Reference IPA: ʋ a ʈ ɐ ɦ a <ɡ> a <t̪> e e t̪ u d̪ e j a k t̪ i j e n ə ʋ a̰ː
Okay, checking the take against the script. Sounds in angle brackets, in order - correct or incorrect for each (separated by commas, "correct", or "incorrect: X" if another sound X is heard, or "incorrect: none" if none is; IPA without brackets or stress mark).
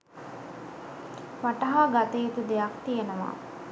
correct, correct